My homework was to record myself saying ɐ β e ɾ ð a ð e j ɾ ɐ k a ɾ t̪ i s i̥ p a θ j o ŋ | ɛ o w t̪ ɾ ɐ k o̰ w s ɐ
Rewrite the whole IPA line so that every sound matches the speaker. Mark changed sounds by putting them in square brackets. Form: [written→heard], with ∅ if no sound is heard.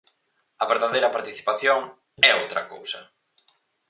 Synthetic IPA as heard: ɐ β e ɾ ð a ð e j ɾ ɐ [k→p] a ɾ t̪ i [s→θ] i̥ p a θ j o ŋ | ɛ o w t̪ ɾ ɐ k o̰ w s ɐ